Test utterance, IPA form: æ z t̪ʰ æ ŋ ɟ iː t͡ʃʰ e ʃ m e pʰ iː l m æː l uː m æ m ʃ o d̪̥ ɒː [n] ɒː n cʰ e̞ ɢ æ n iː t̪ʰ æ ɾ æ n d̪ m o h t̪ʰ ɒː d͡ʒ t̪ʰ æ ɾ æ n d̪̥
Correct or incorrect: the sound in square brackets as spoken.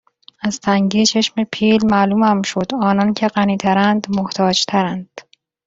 correct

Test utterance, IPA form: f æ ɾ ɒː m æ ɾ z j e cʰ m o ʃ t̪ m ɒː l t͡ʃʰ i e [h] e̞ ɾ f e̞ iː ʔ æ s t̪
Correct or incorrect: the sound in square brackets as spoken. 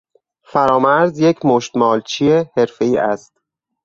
correct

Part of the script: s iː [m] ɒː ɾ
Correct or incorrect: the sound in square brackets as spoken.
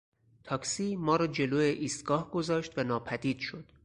correct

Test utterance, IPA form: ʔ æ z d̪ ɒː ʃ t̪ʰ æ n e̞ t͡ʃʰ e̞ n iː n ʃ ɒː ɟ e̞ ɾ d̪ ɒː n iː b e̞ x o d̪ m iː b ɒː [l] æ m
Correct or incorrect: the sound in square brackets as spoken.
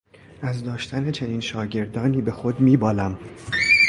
correct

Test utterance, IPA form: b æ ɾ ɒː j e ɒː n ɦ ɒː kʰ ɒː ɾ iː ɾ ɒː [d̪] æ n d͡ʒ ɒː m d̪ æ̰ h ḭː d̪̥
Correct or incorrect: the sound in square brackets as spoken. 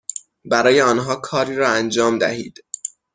incorrect: none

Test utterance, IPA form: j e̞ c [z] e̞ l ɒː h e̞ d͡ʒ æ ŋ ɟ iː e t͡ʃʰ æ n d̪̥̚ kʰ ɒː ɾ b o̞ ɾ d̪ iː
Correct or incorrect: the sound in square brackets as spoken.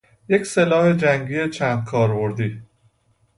incorrect: s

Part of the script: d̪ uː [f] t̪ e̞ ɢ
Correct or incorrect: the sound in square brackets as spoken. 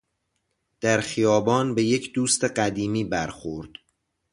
incorrect: s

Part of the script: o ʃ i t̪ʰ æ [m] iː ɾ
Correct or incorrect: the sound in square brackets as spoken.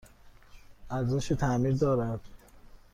correct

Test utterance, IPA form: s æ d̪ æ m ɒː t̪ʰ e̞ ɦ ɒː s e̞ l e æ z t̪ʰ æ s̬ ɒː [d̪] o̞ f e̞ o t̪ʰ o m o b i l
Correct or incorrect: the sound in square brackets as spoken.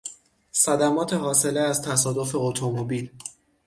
correct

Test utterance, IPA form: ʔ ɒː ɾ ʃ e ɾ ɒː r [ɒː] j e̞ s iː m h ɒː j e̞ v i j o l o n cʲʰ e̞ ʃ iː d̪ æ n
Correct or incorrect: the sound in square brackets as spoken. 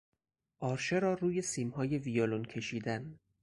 incorrect: uː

